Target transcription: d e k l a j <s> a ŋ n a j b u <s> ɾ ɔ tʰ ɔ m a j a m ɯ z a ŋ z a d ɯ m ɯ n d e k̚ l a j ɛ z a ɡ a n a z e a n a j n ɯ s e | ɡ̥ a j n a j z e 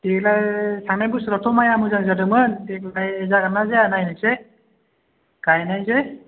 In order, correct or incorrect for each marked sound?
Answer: correct, correct

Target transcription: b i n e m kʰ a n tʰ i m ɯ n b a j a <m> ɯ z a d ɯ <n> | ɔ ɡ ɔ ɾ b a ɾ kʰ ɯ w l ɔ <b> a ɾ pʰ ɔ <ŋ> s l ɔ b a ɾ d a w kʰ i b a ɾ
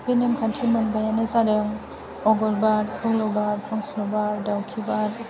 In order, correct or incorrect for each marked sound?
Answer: incorrect: n, incorrect: ŋ, correct, correct

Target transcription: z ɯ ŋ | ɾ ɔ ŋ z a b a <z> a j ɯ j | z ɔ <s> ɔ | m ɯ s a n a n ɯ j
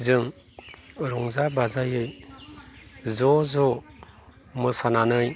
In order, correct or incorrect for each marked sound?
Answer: correct, incorrect: z

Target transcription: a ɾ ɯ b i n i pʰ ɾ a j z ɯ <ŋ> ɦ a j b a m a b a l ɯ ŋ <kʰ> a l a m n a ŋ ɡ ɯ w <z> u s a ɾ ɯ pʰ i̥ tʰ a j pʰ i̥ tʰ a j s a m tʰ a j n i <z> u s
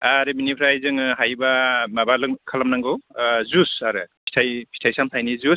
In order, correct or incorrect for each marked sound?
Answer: correct, correct, correct, correct

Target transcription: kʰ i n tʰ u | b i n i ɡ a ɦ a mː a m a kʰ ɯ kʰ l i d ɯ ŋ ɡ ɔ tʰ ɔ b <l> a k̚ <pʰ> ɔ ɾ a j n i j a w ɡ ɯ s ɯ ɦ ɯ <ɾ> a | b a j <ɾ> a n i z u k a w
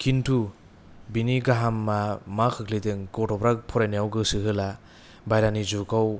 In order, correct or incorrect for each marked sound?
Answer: incorrect: ɾ, correct, incorrect: l, correct

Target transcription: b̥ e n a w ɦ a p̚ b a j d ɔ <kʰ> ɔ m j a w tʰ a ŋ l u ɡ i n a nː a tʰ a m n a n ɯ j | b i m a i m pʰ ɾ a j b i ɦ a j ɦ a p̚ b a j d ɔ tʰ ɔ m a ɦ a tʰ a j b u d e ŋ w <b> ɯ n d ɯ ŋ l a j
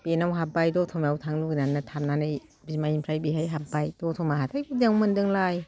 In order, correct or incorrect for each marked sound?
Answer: incorrect: tʰ, incorrect: m

